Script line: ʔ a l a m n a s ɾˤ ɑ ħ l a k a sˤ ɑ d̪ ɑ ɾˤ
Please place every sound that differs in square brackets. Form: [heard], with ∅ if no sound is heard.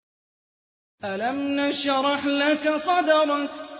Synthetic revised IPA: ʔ a l a m n a [ʃ] ɾˤ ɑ ħ l a k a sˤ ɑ d̪ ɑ ɾˤ